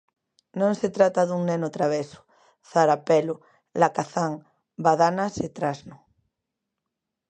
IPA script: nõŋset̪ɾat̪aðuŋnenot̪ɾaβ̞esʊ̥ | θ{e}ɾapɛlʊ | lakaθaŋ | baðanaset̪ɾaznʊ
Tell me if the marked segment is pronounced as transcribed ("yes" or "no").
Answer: no